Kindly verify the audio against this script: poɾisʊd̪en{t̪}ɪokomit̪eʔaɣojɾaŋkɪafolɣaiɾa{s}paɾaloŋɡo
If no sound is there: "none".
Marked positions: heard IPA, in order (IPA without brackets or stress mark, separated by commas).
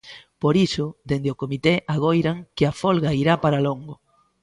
d̪, none